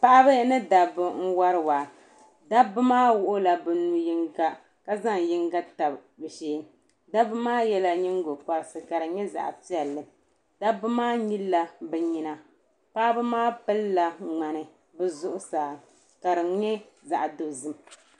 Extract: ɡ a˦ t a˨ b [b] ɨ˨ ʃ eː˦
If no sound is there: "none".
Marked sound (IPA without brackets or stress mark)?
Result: b